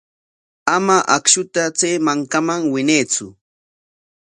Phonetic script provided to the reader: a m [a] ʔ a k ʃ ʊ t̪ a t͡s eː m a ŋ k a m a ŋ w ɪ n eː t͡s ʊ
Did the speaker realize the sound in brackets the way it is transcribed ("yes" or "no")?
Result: yes